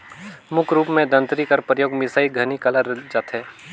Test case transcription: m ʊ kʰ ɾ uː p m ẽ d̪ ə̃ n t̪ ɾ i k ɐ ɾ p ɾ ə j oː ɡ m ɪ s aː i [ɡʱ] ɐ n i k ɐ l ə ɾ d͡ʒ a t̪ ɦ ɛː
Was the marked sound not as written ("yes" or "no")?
no